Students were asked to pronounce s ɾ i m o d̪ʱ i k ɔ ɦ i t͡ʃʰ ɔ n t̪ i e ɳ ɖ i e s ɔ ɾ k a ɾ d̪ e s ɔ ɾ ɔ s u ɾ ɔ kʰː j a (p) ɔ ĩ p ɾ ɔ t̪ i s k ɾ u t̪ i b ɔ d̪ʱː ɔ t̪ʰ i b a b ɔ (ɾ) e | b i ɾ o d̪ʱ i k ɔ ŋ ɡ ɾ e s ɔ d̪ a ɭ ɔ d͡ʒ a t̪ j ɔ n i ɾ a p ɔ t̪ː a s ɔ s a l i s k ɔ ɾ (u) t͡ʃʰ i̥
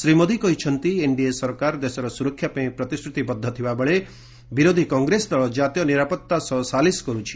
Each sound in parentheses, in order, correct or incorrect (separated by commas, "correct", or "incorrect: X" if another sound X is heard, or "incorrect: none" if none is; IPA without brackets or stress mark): correct, incorrect: ɭ, correct